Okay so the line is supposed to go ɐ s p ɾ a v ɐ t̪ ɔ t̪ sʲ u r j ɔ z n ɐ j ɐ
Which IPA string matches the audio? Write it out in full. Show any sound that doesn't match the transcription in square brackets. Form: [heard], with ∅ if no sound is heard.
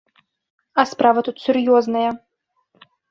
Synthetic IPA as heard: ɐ s p ɾ a v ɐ t̪ [u] t̪ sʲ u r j ɔ z n ɐ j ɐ